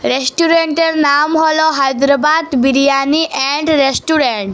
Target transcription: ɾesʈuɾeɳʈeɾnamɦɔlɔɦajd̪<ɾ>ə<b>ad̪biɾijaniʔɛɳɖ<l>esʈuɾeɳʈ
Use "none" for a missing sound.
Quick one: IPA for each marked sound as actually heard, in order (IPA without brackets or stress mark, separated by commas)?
ɾ, b, ɾ